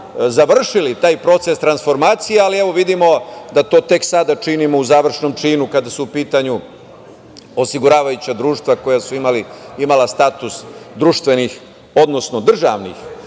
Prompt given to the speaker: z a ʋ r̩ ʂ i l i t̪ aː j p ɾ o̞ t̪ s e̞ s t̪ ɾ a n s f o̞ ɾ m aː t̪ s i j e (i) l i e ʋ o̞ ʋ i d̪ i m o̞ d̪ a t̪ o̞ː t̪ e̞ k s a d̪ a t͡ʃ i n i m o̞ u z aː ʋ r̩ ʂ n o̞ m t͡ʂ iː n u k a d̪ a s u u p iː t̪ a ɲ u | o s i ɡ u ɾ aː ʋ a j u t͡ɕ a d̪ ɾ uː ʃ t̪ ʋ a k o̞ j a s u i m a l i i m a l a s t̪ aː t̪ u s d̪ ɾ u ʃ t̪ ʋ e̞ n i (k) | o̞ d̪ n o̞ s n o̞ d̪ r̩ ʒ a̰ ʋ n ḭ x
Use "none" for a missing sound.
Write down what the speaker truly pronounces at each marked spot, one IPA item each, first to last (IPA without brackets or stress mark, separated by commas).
a, x